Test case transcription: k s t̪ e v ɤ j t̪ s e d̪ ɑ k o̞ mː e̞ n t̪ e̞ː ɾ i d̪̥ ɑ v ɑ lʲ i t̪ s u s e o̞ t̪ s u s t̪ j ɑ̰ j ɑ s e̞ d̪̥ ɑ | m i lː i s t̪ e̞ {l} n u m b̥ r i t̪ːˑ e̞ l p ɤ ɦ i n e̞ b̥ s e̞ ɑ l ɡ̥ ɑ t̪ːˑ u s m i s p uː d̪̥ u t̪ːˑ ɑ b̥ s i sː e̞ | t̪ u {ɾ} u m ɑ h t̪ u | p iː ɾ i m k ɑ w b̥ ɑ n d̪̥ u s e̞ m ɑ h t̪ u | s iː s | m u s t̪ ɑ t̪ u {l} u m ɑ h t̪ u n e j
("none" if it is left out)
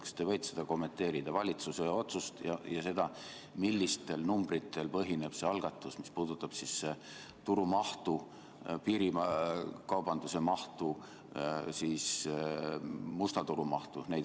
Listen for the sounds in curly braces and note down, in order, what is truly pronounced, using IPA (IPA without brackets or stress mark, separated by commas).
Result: l, ɾ, ɾ